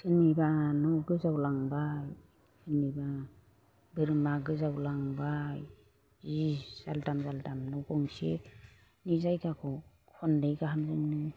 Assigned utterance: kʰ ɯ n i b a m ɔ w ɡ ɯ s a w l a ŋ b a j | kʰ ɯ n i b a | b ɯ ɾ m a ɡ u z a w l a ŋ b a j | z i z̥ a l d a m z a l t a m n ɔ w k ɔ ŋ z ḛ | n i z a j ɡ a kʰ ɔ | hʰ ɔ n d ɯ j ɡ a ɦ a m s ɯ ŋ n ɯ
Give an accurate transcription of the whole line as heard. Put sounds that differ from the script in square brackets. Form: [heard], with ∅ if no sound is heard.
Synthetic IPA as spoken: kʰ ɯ n i b a [n] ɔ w ɡ ɯ [z] a w l a ŋ b a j | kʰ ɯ n i b a | b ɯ ɾ m a ɡ [ɯ] z a w l a ŋ b a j | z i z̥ a l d a m z a l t a m n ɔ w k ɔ ŋ [s] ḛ | n i z a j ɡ a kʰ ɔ | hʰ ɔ n d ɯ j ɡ a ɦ a m [z] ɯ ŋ n ɯ

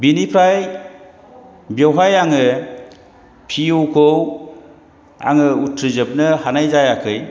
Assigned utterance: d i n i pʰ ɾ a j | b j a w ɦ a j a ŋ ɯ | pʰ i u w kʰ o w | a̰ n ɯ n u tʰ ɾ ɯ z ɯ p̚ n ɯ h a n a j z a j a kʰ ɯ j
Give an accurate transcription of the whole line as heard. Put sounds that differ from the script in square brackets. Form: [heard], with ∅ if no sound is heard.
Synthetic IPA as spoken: [b] i n i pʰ ɾ a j | b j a w ɦ a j a ŋ ɯ | pʰ i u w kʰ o w | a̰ [ŋ] ɯ [∅] u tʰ ɾ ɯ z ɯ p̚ n ɯ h a n a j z a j a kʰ ɯ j

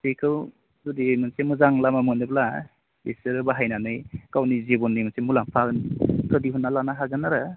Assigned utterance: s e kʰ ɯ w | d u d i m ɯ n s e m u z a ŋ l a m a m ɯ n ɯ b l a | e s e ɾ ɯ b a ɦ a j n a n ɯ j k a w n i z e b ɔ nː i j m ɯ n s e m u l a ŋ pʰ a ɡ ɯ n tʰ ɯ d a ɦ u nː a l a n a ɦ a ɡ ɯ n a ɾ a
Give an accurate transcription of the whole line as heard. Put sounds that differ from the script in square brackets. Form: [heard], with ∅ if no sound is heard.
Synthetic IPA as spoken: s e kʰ ɯ w | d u d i m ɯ n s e m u z a ŋ l a m a m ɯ n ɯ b l a | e s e ɾ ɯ b a ɦ a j n a n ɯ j k a w n i z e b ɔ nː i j m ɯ n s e m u l a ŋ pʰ a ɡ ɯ n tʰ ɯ d [i] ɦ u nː a l a n a ɦ a ɡ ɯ n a ɾ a

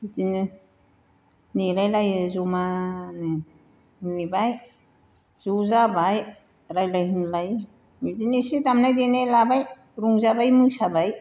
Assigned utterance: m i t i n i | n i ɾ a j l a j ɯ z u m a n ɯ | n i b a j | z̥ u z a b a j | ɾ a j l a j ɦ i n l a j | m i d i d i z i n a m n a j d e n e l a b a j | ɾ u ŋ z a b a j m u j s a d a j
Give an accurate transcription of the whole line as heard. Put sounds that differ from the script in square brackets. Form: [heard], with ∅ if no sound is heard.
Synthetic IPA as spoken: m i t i n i | n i ɾ a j l a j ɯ z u m a n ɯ | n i b a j | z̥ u z a b a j | ɾ a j l a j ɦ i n l a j | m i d i [n] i [s] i [d] a m n a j d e n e l a b a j | ɾ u ŋ z a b a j m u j s a [b] a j

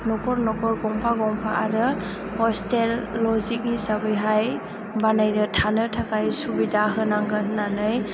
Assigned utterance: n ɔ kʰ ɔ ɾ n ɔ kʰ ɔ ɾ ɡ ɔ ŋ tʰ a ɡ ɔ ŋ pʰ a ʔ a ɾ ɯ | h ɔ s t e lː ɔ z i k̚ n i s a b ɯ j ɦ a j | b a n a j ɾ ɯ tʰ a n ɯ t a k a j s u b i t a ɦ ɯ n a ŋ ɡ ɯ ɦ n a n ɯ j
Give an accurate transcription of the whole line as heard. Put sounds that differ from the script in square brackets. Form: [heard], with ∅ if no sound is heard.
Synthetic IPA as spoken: n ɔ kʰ ɔ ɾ n ɔ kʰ ɔ ɾ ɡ ɔ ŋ [pʰ] a ɡ ɔ ŋ pʰ a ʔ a ɾ ɯ | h ɔ s t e lː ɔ z i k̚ n i s a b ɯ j ɦ a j | b a n a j ɾ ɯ tʰ a n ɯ [tʰ] a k a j s u b i [d] a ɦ ɯ n a ŋ ɡ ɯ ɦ n a n ɯ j

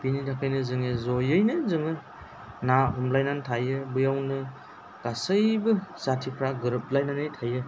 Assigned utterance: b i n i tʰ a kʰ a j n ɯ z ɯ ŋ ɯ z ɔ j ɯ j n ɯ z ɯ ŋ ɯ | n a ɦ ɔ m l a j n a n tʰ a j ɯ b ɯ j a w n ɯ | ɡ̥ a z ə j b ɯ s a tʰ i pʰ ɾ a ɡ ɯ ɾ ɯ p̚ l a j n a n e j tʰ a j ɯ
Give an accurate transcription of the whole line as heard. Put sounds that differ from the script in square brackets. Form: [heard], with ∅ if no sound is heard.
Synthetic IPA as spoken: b i n i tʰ a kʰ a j n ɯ z ɯ ŋ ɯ z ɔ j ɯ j n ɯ z ɯ ŋ ɯ | n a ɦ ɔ m l a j n a n tʰ a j ɯ b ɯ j a w n ɯ | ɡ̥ a [s] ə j b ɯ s a tʰ i pʰ ɾ a ɡ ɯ ɾ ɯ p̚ l a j n a n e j tʰ a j ɯ

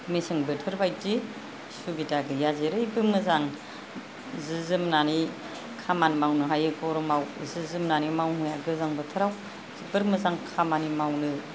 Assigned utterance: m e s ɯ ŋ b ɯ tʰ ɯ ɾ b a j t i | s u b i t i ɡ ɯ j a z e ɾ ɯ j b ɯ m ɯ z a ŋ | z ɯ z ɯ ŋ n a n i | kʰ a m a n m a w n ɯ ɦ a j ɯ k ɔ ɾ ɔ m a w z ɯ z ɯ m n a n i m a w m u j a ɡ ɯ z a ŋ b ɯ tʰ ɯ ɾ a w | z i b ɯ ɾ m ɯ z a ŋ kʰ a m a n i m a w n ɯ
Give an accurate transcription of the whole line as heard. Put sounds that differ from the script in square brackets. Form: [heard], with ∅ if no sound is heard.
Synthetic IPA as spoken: m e s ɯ ŋ b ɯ tʰ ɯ ɾ b a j t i | s u b i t [a] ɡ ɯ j a z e ɾ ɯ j b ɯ m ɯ z a ŋ | z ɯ z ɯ [m] n a n i | kʰ a m a n m a w n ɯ ɦ a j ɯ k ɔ ɾ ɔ m a w z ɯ z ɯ m n a n i m a w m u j a ɡ ɯ z a ŋ b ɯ tʰ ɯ ɾ a w | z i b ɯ ɾ m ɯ z a ŋ kʰ a m a n i m a w n ɯ

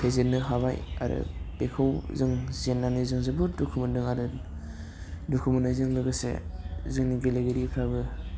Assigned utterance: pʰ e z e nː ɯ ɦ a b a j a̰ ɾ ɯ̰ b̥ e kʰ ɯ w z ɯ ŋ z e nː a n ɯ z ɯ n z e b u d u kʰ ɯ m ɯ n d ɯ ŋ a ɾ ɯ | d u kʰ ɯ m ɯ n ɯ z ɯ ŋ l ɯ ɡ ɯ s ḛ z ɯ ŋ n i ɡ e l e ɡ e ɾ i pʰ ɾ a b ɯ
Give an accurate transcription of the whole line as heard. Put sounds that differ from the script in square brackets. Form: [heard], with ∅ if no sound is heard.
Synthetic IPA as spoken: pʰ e z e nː ɯ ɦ a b a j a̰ ɾ ɯ̰ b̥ e kʰ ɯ w z ɯ ŋ z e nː a n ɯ z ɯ [ŋ] z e b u d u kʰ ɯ m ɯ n d ɯ ŋ a ɾ ɯ | d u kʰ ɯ m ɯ n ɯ z ɯ ŋ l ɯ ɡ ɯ s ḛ z ɯ ŋ n i ɡ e l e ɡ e ɾ i pʰ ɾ a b ɯ

